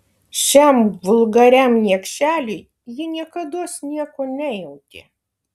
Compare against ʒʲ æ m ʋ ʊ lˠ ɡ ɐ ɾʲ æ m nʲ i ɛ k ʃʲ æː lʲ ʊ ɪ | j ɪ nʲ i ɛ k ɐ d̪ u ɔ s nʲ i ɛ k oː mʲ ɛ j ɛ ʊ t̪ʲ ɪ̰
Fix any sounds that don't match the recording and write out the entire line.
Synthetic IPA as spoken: ʃʲ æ m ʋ ʊ lˠ ɡ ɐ ɾʲ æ m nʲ i ɛ k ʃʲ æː lʲ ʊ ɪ | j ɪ nʲ i ɛ k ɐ d̪ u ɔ s nʲ i ɛ k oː nʲ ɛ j ɛ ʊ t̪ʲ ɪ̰